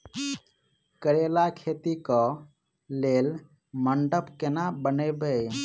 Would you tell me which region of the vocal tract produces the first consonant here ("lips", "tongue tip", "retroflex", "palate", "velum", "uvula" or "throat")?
velum